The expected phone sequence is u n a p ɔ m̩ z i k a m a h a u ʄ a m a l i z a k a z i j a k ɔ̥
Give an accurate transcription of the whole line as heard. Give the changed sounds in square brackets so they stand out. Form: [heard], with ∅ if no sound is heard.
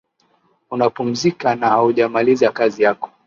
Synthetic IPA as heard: u n a p [u] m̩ z i k a [n] a h a u ʄ a m a l i z a k a z i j a k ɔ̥